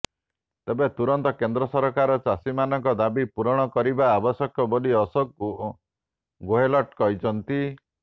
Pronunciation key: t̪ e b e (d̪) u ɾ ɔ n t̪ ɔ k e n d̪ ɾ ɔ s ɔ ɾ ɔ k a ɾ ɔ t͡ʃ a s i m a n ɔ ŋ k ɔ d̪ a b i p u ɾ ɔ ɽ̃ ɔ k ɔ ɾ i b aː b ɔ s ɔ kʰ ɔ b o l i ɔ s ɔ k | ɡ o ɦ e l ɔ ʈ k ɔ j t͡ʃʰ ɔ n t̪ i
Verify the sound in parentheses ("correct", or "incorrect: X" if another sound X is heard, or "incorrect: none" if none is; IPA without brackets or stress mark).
incorrect: t̪